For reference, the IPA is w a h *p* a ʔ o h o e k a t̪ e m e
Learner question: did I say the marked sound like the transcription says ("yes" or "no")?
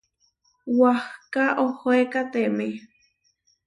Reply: no